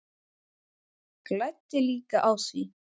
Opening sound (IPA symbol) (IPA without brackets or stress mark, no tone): k